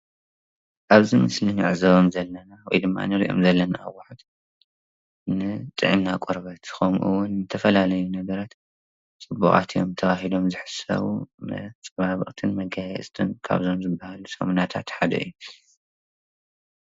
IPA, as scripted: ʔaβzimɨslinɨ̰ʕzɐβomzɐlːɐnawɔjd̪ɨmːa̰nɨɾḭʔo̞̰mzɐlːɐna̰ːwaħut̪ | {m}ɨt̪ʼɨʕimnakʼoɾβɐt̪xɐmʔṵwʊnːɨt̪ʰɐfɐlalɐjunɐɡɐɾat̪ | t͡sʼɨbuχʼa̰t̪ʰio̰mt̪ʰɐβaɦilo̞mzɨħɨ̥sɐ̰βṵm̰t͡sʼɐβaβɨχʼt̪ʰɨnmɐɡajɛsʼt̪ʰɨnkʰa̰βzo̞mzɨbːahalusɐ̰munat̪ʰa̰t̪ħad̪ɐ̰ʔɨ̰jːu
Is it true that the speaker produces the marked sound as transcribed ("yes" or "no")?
no